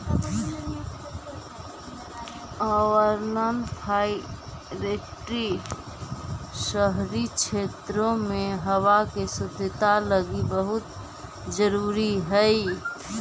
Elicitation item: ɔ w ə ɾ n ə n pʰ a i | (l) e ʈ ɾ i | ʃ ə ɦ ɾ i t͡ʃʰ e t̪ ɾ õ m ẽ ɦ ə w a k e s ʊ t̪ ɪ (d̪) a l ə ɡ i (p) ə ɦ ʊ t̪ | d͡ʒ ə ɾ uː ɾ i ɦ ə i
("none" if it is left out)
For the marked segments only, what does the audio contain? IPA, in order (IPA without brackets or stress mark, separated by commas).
ɾ, t̪, b